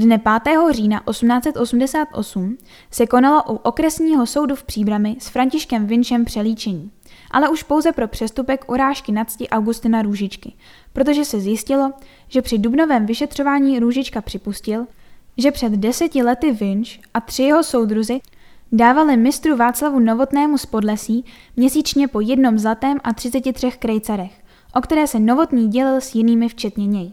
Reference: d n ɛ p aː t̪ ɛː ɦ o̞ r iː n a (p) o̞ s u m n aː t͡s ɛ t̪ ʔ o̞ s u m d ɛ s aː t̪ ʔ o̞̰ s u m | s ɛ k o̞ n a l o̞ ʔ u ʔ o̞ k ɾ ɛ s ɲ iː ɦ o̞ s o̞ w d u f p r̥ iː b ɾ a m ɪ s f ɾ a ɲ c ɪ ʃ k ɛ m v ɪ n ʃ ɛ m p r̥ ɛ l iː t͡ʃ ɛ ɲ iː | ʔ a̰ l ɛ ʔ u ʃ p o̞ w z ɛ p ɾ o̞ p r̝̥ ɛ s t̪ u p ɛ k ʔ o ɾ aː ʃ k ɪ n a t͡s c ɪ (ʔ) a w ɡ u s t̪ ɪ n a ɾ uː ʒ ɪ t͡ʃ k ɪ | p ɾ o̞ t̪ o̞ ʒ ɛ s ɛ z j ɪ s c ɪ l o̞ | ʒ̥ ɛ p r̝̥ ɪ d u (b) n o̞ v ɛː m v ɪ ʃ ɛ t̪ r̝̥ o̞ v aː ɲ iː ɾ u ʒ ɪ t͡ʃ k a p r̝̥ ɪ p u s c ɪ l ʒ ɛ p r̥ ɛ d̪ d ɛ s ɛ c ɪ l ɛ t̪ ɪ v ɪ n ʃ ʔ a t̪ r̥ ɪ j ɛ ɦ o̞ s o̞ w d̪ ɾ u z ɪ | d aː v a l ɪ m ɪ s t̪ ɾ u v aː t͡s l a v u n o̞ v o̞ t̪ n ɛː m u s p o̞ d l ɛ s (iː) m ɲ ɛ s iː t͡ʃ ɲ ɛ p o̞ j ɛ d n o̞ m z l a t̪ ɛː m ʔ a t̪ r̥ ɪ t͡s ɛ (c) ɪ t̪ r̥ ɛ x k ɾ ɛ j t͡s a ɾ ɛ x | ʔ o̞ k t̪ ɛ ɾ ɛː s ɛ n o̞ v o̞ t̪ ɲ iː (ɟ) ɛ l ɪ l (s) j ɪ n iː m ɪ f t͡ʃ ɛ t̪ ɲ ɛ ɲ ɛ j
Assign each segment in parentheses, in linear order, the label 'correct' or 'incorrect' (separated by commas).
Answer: incorrect, correct, correct, correct, correct, correct, correct